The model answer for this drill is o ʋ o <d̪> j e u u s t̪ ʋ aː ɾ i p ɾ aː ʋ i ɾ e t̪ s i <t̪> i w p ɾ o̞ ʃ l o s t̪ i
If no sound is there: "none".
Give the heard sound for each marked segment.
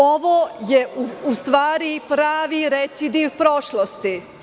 none, d̪

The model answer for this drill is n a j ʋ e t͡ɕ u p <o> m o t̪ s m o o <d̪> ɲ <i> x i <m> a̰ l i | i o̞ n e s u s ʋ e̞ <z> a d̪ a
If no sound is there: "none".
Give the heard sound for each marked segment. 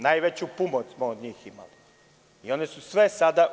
u, d̪, iː, m, s

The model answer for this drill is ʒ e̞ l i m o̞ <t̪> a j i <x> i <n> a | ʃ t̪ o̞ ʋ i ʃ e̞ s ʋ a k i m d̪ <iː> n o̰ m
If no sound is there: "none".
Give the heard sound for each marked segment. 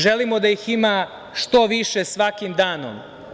d̪, x, m, aː

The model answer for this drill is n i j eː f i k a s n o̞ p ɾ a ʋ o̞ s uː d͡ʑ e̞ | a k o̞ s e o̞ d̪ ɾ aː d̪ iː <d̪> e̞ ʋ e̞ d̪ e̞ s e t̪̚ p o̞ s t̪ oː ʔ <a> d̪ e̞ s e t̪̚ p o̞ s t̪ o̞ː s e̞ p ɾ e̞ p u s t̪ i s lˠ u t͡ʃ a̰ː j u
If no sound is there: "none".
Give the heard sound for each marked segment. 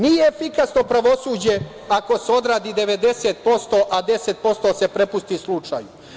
d̪, a

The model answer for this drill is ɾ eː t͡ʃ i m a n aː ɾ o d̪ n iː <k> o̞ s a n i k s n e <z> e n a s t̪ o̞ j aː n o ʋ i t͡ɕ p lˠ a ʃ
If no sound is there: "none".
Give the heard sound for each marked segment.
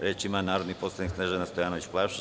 p, ʒ

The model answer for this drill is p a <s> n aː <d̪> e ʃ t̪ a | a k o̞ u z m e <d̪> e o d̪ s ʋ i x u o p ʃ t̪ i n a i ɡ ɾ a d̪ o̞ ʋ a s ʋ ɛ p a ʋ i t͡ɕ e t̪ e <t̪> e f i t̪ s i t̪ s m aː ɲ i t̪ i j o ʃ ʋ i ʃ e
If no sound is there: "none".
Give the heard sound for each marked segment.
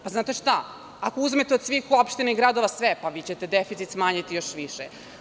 z, t̪, t̪, d̪

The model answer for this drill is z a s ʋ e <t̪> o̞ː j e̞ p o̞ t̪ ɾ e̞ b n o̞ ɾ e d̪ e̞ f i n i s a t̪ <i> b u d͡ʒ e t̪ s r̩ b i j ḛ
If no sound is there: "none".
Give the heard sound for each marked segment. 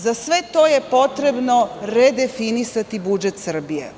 t̪, i

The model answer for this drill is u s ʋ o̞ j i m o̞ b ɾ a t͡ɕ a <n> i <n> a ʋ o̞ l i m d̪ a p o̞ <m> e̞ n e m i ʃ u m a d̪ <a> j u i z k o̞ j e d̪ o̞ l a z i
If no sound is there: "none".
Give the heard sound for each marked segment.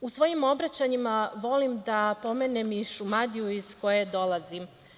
ɲ, m, m, i

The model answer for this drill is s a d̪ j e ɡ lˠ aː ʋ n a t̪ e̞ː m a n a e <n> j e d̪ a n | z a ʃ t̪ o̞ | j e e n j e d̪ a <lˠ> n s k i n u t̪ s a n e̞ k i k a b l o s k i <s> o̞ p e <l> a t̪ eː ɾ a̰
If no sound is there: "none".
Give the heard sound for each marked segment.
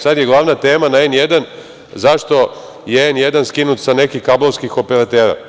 n, none, x, ɾ

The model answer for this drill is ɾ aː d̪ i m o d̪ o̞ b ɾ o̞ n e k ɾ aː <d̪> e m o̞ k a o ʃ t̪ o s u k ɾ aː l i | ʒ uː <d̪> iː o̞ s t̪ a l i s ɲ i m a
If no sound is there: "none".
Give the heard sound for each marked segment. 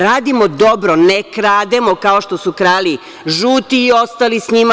d̪, t̪

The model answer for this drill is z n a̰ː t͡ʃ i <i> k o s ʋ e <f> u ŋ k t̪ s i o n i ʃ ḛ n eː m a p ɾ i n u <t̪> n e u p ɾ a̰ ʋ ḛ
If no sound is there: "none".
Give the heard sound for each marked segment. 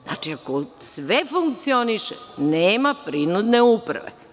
a, f, d̪

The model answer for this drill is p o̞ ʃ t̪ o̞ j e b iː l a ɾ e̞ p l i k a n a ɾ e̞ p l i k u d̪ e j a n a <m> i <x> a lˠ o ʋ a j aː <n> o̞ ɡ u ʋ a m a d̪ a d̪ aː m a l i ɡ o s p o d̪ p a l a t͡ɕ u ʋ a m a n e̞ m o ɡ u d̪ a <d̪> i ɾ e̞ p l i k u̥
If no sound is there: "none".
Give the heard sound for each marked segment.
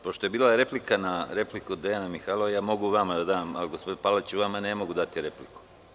m, x, m, t̪

